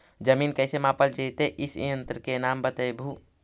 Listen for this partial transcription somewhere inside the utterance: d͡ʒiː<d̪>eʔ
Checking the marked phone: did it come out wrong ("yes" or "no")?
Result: yes